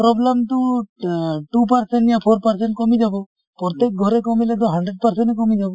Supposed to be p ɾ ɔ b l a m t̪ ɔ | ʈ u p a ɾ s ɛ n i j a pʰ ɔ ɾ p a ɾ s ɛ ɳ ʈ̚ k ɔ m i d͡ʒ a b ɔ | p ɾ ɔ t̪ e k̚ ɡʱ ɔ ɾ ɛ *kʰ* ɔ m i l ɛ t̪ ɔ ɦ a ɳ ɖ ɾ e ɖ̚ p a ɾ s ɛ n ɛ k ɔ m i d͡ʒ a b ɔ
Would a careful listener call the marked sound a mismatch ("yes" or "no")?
yes